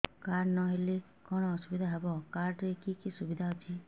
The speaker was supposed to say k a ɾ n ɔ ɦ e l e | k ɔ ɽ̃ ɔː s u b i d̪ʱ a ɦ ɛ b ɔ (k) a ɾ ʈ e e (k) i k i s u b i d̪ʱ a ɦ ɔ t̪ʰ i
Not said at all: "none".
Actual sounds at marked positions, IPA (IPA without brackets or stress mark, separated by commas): k, k